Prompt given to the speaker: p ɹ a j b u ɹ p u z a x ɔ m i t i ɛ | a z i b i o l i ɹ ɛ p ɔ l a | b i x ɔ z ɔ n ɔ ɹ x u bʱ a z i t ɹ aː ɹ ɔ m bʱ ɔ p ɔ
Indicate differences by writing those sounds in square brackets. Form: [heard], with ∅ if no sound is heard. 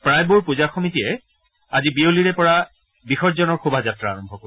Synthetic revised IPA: p ɹ a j b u ɹ p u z a x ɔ m i t i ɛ | a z i b i o l i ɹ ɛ p ɔ [ɹ] a | b i x ɔ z ɔ n ɔ ɹ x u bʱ a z [a] t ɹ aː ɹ ɔ m bʱ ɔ [k] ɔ